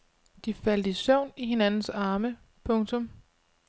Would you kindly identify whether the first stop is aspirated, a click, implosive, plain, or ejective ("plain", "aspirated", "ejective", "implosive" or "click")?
plain